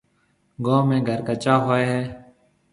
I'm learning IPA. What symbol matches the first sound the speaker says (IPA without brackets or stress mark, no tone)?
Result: ɡ